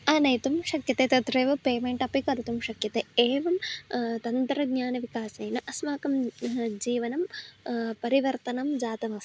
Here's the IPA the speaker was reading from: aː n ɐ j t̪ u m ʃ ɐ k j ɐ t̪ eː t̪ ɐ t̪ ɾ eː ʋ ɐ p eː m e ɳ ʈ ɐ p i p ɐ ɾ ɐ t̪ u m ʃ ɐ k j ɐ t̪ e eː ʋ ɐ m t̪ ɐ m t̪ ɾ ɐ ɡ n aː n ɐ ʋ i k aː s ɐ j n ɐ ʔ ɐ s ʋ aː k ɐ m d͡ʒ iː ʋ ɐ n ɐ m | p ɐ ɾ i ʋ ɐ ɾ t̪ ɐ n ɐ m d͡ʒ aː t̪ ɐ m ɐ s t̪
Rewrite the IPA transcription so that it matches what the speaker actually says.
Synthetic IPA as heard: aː n ɐ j t̪ u m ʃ ɐ k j ɐ t̪ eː t̪ ɐ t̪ ɾ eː ʋ ɐ p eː m e ɳ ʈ ɐ p i k ɐ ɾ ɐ t̪ u m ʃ ɐ k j ɐ t̪ e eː ʋ ɐ m t̪ ɐ n t̪ ɾ ɐ ɡ ɲ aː n ɐ ʋ i k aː s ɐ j n ɐ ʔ ɐ s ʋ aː k ɐ m d͡ʒ iː ʋ ɐ n ɐ m | p ɐ ɾ i ʋ ɐ ɾ t̪ ɐ n ɐ m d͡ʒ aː t̪ ɐ m ɐ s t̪